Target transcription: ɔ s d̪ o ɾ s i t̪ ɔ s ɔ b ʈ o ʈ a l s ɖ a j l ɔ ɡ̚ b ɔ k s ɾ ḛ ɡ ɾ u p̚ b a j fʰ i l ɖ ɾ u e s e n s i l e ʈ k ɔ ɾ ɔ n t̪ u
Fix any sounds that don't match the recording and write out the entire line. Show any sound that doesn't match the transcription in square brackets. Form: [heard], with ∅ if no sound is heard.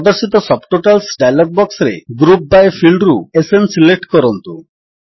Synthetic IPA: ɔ [∅] d̪ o ɾ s i t̪ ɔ s ɔ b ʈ o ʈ a l s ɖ a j l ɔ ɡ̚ b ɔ k s ɾ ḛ ɡ ɾ u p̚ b a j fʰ i l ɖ ɾ u e s e n s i l e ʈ k ɔ ɾ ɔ n t̪ u